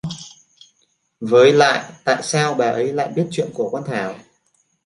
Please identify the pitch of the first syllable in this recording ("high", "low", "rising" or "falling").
rising